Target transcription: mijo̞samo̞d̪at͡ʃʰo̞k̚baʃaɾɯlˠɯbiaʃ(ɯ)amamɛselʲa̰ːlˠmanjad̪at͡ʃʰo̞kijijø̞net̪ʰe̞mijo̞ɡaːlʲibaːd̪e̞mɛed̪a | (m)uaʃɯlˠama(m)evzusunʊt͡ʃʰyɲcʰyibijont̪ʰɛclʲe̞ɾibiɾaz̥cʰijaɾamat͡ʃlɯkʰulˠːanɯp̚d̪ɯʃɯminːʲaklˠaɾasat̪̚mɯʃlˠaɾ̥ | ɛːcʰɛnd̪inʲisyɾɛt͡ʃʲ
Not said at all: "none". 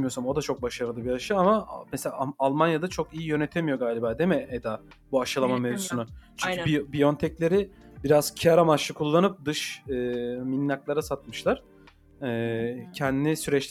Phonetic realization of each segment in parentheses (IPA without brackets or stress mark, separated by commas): ɯ, b, m